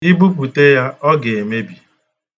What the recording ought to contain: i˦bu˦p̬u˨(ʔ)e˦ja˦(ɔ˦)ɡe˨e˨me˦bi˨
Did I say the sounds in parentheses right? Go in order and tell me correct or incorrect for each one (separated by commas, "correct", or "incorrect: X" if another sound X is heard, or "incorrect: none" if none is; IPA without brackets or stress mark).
incorrect: t, correct